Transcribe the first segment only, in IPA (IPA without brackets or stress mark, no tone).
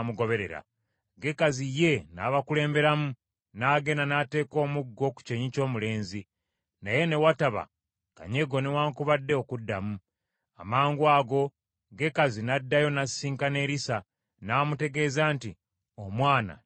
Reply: m